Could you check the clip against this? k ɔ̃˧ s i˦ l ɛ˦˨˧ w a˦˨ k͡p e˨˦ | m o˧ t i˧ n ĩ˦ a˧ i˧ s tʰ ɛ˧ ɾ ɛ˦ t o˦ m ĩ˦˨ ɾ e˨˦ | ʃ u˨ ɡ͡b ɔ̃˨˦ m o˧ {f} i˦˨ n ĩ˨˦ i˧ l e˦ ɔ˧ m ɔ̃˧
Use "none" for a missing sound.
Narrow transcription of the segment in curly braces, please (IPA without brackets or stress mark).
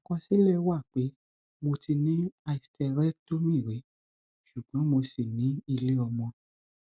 s